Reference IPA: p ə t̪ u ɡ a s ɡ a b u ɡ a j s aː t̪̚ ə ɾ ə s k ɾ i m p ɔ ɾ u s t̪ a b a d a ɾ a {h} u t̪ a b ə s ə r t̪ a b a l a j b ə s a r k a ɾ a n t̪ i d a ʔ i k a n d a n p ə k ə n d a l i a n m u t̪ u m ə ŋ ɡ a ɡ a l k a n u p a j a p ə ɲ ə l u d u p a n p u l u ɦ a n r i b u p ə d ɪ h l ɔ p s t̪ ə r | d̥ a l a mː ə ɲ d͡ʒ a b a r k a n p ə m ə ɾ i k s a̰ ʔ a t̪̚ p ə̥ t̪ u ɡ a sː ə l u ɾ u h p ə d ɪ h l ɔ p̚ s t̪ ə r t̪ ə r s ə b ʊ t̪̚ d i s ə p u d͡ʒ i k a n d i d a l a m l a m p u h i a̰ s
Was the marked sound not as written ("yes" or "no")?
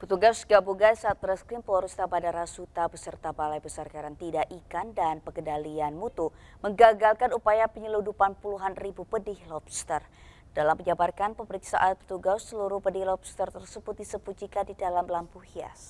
yes